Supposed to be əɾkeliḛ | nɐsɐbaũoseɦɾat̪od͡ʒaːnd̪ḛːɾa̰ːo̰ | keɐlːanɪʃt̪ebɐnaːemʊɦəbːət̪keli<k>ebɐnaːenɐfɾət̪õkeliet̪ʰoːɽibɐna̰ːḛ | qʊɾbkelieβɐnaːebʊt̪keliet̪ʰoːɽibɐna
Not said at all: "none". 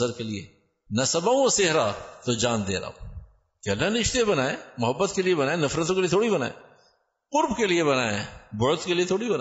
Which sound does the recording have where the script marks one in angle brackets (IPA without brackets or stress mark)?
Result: none